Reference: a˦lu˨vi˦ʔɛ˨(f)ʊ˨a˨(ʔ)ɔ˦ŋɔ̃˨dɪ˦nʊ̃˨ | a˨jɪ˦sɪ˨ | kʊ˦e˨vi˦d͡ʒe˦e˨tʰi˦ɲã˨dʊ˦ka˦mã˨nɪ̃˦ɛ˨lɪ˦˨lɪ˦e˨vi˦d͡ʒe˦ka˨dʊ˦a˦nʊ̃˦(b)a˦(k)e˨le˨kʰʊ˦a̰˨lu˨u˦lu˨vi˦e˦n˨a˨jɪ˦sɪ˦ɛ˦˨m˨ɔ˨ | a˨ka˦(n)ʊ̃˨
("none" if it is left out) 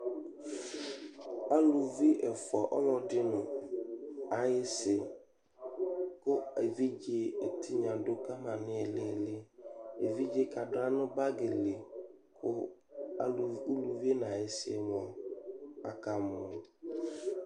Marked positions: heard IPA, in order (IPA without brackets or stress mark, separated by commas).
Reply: f, ʔ, b, ɡ, m